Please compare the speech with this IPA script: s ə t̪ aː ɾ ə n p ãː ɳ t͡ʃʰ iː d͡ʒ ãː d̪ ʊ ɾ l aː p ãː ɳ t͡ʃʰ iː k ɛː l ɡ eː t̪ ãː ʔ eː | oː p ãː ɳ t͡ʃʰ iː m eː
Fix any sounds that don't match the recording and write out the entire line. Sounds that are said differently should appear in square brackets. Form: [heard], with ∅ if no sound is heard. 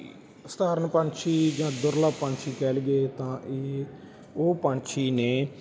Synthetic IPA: s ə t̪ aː ɾ ə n p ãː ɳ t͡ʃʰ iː d͡ʒ ãː d̪ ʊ ɾ l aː p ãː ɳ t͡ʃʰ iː k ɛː l ɡ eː t̪ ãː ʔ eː | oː p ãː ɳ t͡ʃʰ iː [n] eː

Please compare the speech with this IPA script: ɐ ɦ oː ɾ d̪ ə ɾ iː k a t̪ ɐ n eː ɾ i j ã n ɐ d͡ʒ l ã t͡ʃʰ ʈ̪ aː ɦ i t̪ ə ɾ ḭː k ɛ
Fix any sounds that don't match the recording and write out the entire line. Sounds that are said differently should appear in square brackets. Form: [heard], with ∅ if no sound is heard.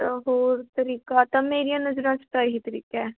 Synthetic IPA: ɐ ɦ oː ɾ [t̪] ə ɾ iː k a t̪ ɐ [m] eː ɾ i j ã n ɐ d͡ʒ [ɾ] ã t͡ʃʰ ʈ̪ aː ɦ i t̪ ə ɾ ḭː k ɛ

